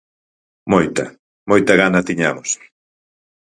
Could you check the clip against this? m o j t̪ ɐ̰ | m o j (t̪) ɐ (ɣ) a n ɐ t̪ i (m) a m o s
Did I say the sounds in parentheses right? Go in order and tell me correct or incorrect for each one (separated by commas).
correct, correct, incorrect